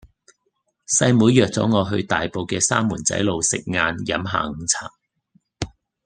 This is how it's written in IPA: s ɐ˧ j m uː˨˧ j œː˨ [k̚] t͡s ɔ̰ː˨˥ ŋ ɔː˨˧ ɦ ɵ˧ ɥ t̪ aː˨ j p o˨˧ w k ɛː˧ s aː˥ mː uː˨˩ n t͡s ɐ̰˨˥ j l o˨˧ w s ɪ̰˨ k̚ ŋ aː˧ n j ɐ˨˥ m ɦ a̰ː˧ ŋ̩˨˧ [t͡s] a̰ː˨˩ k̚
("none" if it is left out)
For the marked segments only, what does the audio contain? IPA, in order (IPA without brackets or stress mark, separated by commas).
k̚, t͡sʰ